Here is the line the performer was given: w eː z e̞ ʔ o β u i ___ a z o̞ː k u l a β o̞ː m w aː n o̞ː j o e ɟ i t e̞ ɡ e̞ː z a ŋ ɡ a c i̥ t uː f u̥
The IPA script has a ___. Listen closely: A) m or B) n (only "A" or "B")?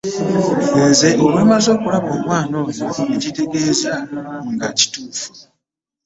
A